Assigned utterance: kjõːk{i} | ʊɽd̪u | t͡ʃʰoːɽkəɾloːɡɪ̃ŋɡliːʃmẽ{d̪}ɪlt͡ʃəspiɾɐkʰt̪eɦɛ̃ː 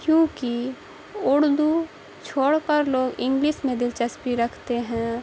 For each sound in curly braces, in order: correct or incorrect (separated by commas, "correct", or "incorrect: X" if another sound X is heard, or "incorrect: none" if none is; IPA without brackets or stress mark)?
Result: correct, correct